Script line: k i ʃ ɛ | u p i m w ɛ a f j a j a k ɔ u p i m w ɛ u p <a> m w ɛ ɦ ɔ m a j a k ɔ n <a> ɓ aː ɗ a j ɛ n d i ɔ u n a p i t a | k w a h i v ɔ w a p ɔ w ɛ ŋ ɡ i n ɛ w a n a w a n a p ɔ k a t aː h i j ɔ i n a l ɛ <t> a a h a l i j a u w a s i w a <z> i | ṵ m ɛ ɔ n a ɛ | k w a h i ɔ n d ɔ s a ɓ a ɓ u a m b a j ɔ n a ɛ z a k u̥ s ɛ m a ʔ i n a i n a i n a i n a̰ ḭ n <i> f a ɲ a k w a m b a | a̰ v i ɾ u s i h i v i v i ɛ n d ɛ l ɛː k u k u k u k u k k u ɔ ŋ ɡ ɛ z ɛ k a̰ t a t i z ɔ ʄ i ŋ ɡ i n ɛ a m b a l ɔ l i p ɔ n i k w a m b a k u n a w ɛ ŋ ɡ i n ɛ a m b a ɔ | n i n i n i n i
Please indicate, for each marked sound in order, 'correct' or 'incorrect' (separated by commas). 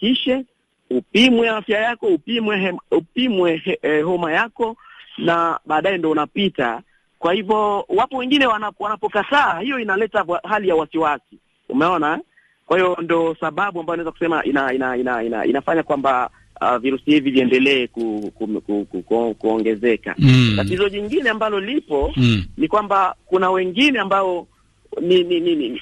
incorrect, correct, correct, incorrect, incorrect